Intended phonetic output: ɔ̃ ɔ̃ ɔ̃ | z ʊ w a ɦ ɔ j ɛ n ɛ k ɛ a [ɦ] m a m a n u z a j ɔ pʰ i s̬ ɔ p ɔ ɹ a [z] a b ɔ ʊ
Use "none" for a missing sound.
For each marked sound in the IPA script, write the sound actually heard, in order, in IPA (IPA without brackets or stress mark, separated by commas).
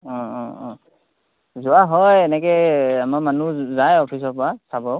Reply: none, s